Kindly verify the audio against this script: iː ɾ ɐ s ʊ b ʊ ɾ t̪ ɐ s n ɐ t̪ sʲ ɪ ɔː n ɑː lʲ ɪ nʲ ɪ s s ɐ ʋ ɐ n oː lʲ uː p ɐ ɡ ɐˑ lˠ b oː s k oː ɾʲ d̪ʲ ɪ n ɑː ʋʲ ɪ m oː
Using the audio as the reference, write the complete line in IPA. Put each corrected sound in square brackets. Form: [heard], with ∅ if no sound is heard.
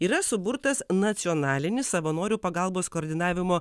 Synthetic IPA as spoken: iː ɾ ɐ s ʊ b ʊ ɾ t̪ ɐ s n ɐ t̪ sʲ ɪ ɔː n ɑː lʲ ɪ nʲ ɪ s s ɐ ʋ ɐ n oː [ɾʲ] uː p ɐ ɡ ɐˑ lˠ b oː s k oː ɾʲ d̪ʲ ɪ n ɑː ʋʲ ɪ m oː